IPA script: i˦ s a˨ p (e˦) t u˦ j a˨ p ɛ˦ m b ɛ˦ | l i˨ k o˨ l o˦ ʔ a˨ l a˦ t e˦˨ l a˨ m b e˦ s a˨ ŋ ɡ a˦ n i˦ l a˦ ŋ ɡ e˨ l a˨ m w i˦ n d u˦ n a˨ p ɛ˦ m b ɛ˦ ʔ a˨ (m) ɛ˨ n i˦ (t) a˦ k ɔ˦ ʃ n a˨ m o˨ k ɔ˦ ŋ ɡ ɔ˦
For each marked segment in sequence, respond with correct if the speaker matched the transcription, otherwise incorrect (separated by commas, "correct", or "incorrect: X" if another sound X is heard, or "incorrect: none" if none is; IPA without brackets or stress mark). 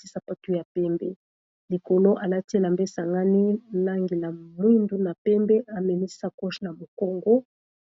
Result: incorrect: a˦, correct, incorrect: s